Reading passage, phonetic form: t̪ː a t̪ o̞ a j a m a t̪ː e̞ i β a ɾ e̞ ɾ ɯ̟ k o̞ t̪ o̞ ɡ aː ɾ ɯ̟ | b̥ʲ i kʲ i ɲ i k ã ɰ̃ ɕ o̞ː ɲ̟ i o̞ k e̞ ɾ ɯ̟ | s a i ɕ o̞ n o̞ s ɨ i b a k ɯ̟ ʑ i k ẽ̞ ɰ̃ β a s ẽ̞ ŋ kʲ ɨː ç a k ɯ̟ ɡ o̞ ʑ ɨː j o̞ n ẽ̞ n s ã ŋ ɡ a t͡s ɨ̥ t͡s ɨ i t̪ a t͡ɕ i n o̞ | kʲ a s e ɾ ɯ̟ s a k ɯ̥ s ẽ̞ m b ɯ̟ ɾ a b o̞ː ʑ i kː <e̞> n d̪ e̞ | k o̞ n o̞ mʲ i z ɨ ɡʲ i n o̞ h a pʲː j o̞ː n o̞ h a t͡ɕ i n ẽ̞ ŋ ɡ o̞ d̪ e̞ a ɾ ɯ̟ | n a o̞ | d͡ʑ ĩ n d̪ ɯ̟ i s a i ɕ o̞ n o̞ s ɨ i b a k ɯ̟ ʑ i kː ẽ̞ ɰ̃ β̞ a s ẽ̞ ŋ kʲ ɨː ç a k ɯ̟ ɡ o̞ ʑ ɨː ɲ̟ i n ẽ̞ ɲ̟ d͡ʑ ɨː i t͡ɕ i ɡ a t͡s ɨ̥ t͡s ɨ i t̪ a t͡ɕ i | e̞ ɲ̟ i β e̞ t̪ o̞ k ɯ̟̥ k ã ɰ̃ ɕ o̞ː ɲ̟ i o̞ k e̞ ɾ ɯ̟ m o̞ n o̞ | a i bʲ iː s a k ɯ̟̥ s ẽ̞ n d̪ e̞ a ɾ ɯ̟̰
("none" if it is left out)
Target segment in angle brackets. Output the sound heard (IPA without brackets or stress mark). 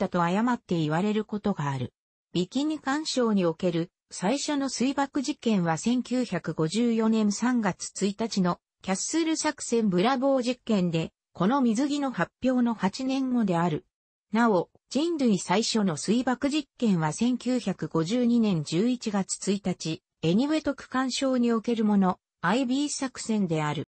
ẽ̞